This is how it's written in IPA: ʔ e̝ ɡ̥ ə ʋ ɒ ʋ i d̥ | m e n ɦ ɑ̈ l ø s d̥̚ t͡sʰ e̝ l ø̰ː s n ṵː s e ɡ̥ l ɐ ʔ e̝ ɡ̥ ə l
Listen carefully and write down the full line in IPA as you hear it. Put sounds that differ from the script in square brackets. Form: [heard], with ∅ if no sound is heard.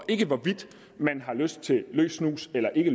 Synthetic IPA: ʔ e̝ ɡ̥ ə ʋ ɒ ʋ i d̥ | m [æ] n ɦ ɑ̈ l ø s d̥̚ t͡sʰ e̝ l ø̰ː s n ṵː s e [∅] l ɐ ʔ e̝ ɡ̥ ə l